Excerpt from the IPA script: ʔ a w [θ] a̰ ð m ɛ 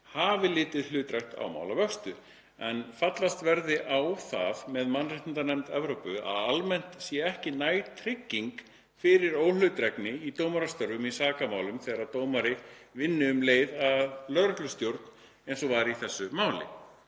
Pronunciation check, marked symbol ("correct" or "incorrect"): correct